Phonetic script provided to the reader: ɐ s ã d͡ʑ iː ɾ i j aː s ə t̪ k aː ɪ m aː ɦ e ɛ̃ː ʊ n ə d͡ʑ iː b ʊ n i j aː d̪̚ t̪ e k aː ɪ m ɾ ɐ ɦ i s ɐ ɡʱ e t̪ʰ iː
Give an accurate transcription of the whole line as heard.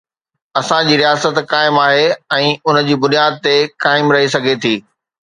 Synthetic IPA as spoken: ɐ s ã d͡ʑ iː ɾ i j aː s ə t̪ k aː ɪ m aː ɦ e ɛ̃ː ʊ n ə d͡ʑ iː b ʊ n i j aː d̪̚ t̪ e k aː ɪ m ɾ ɐ ɦ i s ɐ ɡʱ e t̪ʰ iː

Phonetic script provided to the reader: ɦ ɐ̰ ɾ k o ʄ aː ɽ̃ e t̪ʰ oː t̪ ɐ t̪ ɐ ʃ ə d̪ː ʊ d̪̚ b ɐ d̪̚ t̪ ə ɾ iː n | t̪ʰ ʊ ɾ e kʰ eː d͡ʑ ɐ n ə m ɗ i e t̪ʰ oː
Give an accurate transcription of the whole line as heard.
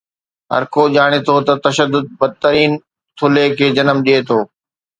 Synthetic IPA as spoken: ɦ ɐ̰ ɾ k o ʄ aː ɽ̃ e t̪ʰ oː t̪ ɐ t̪ ɐ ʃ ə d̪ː ʊ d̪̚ b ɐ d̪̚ t̪ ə ɾ iː n | t̪ʰ ʊ l e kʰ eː d͡ʑ ɐ n ə m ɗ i e t̪ʰ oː

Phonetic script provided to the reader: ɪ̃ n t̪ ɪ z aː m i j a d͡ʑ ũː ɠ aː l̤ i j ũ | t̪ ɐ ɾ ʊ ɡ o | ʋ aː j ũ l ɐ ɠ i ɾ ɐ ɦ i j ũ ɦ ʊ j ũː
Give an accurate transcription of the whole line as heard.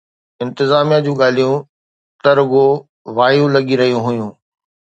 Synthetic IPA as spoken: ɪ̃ n t̪ ɪ z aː m i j a d͡ʑ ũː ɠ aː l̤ i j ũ | t̪ ɐ ɾ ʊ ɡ o | ʋ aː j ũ l ɐ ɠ i ɾ ɐ ɦ i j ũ ɦ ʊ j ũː

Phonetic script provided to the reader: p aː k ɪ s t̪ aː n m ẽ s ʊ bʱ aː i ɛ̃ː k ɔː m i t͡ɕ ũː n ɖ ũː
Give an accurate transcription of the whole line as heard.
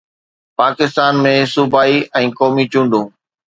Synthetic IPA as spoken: p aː k ɪ s t̪ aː n m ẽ s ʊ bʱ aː i ɛ̃ː k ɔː m i t͡ɕ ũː ɳ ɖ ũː

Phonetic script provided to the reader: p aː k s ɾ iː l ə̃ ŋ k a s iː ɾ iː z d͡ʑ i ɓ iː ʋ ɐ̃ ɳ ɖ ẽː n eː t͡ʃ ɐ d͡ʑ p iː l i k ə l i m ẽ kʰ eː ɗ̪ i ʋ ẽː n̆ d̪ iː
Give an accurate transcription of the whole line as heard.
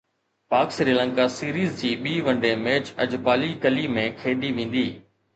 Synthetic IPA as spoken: p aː k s ɾ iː l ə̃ ŋ k a s iː ɾ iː z d͡ʑ iː ɓ iː ʋ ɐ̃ ɳ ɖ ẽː m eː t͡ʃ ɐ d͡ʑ p aː l i k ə l i m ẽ kʰ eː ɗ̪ i ʋ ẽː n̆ d̪ iː

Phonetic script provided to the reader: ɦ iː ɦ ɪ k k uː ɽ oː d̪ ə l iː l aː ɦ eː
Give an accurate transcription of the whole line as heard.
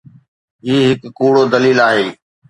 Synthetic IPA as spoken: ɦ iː ɦ ɪ k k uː ɽ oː d̪ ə l iː l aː ɦ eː

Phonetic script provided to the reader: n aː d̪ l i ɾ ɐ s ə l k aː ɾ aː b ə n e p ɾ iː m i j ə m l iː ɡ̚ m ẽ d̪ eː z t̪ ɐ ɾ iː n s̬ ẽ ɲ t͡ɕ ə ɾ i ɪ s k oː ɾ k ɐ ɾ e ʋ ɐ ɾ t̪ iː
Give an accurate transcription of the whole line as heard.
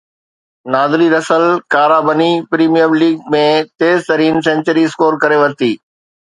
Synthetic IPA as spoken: n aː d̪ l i ɾ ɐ s ə l k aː ɾ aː b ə n i p ɾ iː m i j ə m l iː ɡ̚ m ẽ t̪ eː z t̪ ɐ ɾ iː n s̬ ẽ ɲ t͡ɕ ə ɾ i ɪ s k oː ɾ k ɐ ɾ e ʋ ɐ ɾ t̪ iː

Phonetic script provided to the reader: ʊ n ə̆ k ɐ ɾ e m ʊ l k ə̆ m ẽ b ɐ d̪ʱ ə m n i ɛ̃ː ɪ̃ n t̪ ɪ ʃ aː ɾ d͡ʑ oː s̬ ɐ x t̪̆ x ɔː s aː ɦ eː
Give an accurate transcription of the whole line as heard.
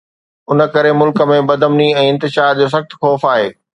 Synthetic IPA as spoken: ʊ n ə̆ k ɐ ɾ e m ʊ l k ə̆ m ẽ b ɐ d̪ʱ ə m n i ɛ̃ː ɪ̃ n t̪ ɪ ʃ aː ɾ d͡ʑ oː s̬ ɐ x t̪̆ x ɔː f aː ɦ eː

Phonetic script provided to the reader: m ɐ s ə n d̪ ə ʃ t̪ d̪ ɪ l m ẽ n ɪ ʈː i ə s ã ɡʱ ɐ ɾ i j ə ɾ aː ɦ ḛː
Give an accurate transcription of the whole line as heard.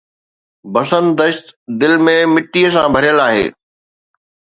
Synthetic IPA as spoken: b ɐ s ə n d̪ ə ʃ t̪ d̪ ɪ l m ẽ m ɪ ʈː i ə s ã bʱ ɐ ɾ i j ə l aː ɦ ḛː

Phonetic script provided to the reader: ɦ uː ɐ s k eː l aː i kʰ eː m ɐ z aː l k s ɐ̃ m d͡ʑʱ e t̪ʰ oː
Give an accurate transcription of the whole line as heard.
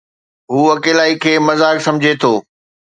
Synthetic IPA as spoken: ɦ uː ɐ k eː l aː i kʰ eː m ɐ z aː k s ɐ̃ m d͡ʑʱ e t̪ʰ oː

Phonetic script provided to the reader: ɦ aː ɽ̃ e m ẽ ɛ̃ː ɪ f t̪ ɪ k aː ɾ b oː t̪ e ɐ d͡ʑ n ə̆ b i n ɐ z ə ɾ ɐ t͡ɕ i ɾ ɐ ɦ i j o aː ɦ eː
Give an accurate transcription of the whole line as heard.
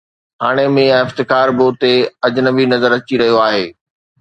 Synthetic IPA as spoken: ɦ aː ɽ̃ e m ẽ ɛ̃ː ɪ f t̪ ɪ k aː ɾ b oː t̪ e ɐ d͡ʑ n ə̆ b i n ɐ z ə ɾ ɐ t͡ɕ i ɾ ɐ ɦ i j o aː ɦ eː

